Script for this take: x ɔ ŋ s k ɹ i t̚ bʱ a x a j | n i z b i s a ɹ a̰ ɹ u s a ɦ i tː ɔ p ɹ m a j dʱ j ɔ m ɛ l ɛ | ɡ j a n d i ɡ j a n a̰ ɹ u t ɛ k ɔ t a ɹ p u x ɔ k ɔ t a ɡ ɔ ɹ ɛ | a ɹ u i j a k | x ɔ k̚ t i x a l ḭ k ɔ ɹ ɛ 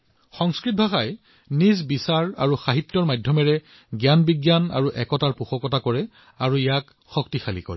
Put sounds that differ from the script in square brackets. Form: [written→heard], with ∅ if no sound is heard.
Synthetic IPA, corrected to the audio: x ɔ ŋ s k ɹ i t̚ bʱ a x a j | n i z b i s a ɹ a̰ ɹ u [s→x] a ɦ i tː ɔ [p→∅] ɹ m a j dʱ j ɔ m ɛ [l→ɹ] ɛ | ɡ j a n [d→b] i ɡ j a n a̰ ɹ u [t→ʔ] ɛ k ɔ t a ɹ p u x ɔ k ɔ t a [ɡ→k] ɔ ɹ ɛ | a ɹ u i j a k | x ɔ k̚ t i x a l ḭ k ɔ ɹ ɛ